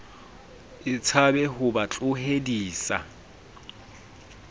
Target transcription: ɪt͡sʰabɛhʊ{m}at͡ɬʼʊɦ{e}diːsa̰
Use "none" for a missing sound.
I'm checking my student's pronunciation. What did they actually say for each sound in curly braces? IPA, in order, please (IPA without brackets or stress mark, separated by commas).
b, e